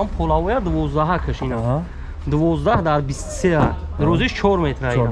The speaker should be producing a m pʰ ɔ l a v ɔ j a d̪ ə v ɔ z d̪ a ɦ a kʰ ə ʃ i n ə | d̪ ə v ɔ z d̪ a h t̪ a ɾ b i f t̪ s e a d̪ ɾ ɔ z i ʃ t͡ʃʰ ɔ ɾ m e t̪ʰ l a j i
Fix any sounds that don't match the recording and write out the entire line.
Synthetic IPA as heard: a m pʰ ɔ l a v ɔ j a d̪ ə v ɔ z d̪ a ɦ a kʰ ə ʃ i n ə | d̪ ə v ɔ z d̪ a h d̪ a ɾ b i s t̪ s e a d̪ ɾ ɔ z i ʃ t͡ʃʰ ɔ ɾ m e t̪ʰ ɾ a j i